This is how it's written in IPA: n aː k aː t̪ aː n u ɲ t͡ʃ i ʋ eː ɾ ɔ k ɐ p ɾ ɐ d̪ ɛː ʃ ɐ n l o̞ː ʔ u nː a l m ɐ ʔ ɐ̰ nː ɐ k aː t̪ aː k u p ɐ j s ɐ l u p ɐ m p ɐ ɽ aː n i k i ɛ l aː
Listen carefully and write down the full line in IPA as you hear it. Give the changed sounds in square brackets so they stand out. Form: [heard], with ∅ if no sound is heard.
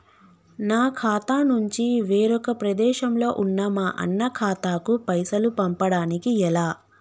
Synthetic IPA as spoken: n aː [kʰ] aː t̪ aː n u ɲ t͡ʃ i ʋ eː ɾ ɔ k ɐ p ɾ ɐ d̪ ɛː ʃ ɐ [m] l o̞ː ʔ u nː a [∅] m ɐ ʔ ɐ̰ nː ɐ [kʰ] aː t̪ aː k u p ɐ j s ɐ l u p ɐ m p ɐ ɽ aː n i k i ɛ l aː